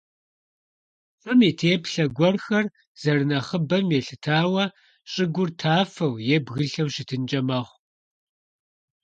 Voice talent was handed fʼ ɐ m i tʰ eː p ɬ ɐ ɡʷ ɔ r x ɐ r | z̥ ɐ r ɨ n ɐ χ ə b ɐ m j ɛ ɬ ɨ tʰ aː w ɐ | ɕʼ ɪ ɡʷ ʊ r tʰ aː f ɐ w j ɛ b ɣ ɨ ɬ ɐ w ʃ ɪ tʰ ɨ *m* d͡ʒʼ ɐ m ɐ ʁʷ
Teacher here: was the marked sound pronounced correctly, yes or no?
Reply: no